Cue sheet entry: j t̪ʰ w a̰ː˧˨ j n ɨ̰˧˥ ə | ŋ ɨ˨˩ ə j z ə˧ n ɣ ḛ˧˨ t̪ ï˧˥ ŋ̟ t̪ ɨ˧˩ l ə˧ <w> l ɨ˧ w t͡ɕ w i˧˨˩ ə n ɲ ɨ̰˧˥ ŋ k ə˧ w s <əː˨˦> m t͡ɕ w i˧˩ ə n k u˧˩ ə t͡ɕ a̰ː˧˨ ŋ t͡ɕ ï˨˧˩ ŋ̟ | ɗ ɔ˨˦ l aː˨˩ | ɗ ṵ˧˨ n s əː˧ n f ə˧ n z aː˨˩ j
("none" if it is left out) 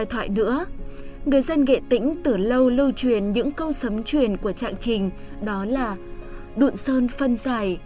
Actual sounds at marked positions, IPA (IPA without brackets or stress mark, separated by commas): w, ə˨˦